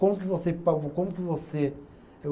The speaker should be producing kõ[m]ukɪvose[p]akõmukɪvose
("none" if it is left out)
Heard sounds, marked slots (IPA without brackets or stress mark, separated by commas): m, p